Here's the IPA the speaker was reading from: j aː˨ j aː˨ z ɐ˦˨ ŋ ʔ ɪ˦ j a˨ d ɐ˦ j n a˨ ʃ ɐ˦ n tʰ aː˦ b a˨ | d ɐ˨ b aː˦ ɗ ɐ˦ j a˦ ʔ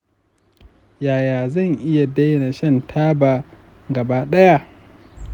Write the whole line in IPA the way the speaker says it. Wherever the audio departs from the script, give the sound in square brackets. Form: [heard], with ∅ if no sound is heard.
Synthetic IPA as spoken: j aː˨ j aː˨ z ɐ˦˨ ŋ ʔ ɪ˦ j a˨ d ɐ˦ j n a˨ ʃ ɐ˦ n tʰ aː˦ b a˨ | [ɡ] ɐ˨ b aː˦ ɗ ɐ˦ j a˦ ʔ